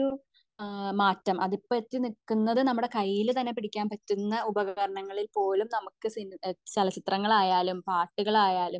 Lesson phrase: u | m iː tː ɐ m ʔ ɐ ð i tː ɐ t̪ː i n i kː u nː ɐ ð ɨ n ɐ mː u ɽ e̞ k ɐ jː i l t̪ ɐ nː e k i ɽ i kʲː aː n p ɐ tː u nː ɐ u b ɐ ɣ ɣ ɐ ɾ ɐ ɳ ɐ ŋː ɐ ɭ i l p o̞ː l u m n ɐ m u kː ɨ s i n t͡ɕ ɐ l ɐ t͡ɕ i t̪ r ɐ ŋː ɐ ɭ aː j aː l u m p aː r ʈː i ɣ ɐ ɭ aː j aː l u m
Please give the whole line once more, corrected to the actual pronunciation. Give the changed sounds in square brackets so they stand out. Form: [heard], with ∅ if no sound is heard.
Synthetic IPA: u | m [aː] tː ɐ m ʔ ɐ ð i [pː] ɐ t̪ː i n i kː u nː ɐ ð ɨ n ɐ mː u ɽ e̞ k ɐ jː i l t̪ ɐ nː e [p] i ɽ i kʲː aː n p ɐ tː u nː ɐ u b ɐ ɣ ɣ ɐ ɾ ɐ ɳ ɐ ŋː ɐ ɭ i l p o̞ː l u m n ɐ m u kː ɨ s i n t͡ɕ ɐ l ɐ t͡ɕ i t̪ r ɐ ŋː ɐ ɭ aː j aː l u m p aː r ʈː i ɣ ɐ ɭ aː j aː l u m